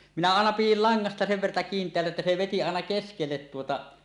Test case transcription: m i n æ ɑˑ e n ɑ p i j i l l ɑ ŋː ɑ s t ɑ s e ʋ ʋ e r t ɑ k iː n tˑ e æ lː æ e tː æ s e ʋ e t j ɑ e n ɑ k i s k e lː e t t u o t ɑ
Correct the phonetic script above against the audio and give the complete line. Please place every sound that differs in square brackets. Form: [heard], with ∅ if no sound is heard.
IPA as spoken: m i n æ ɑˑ e n ɑ p i j i l l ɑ ŋː ɑ s t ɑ s e ʋ ʋ e r t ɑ k iː n tˑ e æ lː æ e tː æ s e ʋ e t [i] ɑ e n ɑ k [e] s k e lː e t t u o t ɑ